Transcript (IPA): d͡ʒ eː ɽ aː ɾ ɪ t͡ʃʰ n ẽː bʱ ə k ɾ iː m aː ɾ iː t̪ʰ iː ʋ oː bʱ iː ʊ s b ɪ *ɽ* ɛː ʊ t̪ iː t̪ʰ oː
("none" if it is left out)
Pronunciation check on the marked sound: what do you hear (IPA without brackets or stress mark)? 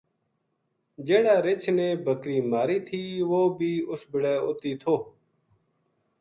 ɽ